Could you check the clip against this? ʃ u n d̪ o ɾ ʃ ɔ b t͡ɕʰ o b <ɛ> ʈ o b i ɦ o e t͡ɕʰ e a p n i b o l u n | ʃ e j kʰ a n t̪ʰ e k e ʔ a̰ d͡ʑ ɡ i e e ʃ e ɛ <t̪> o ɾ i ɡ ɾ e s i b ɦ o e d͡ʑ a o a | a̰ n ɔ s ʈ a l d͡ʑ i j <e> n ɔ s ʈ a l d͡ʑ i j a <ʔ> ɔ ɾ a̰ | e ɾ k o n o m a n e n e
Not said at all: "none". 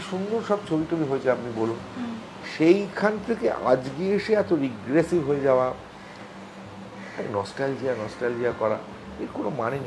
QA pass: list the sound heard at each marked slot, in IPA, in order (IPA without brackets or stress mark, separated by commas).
i, t̪, a, k